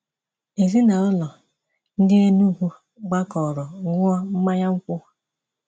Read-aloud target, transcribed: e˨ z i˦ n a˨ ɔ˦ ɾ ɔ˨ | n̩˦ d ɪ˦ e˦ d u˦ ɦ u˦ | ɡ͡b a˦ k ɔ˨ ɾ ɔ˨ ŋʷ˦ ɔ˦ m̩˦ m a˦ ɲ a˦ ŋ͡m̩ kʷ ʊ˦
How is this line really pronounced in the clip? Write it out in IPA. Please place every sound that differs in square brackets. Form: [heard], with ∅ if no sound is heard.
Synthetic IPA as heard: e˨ z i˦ n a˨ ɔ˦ [l] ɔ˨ | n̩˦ d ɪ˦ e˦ [n] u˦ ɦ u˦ | ɡ͡b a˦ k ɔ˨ ɾ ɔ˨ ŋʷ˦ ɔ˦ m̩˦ m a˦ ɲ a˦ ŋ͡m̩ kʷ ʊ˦